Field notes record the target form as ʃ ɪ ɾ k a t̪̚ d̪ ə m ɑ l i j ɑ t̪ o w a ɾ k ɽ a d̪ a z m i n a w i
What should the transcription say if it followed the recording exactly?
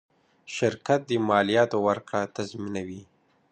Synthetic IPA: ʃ ɪ ɾ k a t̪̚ d̪ ə m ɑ l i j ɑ t̪ o w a ɾ k ɽ a t̪ a z m i n a w i